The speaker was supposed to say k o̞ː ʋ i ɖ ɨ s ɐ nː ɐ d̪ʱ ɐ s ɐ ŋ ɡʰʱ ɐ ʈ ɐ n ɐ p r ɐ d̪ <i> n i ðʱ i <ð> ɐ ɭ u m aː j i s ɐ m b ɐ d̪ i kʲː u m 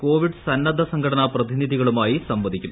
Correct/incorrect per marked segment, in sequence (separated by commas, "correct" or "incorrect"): correct, incorrect